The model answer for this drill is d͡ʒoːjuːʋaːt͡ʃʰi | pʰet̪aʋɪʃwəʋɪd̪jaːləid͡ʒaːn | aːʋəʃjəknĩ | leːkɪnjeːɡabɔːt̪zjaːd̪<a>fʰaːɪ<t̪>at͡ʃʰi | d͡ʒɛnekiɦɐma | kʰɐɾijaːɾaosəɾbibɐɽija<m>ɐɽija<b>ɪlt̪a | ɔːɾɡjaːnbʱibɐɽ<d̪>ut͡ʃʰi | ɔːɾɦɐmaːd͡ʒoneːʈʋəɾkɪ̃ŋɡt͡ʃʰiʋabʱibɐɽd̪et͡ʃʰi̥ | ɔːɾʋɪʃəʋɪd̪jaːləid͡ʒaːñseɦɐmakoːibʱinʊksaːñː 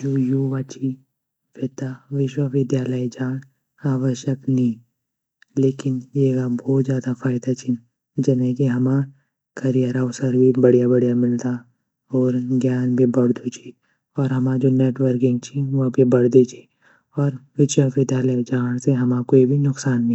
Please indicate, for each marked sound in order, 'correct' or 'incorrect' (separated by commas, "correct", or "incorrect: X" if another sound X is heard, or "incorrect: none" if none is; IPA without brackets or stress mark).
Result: correct, incorrect: d̪, incorrect: b, incorrect: m, correct